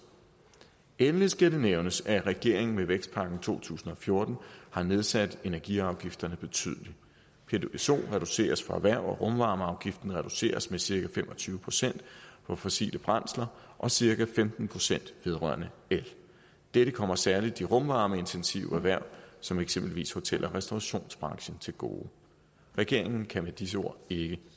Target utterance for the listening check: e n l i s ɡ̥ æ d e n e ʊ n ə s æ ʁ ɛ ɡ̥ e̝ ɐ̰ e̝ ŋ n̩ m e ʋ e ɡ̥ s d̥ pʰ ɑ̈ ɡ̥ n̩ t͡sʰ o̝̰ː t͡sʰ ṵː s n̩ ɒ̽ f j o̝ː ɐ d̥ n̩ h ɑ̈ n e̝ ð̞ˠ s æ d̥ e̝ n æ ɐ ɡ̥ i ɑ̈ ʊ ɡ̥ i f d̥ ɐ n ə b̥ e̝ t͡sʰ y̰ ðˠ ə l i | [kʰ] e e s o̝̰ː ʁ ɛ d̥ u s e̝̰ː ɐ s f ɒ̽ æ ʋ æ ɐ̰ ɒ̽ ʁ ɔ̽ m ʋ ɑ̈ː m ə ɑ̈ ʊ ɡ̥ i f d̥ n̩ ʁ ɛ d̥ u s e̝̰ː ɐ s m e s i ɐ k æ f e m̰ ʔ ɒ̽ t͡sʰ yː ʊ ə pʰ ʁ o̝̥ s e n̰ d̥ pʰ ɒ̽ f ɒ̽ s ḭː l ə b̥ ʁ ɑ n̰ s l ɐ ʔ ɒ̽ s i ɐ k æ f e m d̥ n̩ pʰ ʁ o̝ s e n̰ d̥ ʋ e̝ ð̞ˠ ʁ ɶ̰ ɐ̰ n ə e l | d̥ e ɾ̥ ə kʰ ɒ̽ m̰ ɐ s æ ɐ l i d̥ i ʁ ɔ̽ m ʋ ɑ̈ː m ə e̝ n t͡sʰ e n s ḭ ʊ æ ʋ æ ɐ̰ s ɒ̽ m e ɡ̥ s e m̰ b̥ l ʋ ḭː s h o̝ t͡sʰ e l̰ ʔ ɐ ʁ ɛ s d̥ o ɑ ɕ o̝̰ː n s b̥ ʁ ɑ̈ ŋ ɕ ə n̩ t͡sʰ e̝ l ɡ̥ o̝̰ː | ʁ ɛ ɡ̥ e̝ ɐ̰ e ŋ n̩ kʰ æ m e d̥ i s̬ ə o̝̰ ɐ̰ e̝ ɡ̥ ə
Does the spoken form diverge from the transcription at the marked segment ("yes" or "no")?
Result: yes